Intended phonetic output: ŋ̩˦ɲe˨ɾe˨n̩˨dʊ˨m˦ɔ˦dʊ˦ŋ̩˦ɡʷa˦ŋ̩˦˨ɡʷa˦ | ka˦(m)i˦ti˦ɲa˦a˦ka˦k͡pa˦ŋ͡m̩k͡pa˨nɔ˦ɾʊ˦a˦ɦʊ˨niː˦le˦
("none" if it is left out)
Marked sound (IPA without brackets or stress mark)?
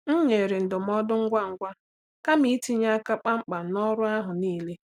m